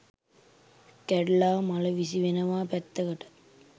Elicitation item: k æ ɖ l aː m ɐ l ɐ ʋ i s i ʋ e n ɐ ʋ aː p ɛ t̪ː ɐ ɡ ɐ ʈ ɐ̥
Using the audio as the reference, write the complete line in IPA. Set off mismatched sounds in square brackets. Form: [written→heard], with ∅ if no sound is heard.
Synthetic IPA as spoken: k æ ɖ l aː m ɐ l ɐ ʋ i s i ʋ e n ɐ ʋ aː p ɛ t̪ː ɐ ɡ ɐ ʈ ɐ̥